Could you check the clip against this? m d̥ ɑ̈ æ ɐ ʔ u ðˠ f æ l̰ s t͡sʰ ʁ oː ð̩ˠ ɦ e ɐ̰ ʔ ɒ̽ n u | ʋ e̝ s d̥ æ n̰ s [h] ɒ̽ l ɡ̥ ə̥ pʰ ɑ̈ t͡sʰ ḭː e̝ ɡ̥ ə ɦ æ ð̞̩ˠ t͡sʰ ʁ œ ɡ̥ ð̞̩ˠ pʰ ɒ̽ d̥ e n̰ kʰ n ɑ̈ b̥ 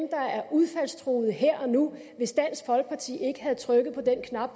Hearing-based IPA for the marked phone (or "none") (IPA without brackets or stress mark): f